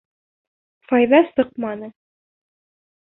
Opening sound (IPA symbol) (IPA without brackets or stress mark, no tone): f